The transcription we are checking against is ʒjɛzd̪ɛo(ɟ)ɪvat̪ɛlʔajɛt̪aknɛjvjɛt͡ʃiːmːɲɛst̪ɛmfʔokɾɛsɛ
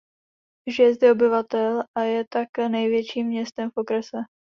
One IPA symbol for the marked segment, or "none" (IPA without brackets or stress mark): b